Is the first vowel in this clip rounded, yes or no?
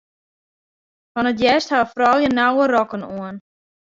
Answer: yes